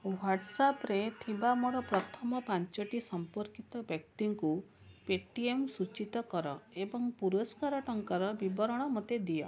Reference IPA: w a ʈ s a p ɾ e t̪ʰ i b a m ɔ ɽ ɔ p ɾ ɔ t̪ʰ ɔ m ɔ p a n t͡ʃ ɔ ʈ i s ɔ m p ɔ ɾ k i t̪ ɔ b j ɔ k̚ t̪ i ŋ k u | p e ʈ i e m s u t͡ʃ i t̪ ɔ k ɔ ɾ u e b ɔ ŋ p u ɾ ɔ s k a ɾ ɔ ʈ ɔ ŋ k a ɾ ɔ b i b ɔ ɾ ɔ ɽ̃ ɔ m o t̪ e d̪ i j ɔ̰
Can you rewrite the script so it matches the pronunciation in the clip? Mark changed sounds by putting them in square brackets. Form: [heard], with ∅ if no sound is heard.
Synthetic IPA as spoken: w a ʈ s a p ɾ e t̪ʰ i b a m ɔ ɽ ɔ p ɾ ɔ t̪ʰ ɔ m ɔ p a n t͡ʃ ɔ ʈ i s ɔ m p ɔ ɾ k i t̪ ɔ b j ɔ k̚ t̪ i ŋ k u | p e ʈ i e m s u t͡ʃ i t̪ ɔ k ɔ ɾ [ɔ] e b ɔ ŋ p u ɾ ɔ s k a ɾ ɔ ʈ ɔ ŋ k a ɾ ɔ b i b ɔ ɾ ɔ ɽ̃ ɔ m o t̪ e d̪ i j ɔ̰